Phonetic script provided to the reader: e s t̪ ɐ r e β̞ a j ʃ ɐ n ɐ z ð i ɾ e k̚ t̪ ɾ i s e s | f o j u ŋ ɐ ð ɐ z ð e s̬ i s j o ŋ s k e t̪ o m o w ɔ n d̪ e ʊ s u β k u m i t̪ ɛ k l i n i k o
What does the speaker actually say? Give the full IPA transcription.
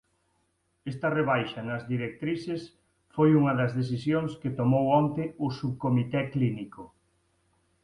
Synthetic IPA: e s t̪ ɐ r e β̞ a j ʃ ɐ n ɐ z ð i ɾ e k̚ t̪ ɾ i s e s | f o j u ŋ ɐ ð ɐ z ð e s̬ i s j o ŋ s k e t̪ o m o w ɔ n t̪ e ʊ s u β k o m i t̪ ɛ k l i n i k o